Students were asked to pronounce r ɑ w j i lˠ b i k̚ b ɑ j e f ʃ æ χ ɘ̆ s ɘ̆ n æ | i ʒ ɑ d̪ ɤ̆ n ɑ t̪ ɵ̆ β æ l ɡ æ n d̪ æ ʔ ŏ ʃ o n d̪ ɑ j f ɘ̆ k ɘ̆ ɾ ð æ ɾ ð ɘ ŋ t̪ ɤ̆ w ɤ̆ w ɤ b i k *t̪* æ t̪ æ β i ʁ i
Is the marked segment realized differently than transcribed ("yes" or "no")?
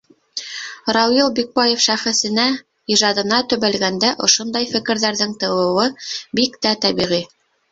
no